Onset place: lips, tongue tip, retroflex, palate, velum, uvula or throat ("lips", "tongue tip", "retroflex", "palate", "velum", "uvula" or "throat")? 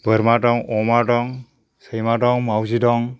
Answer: lips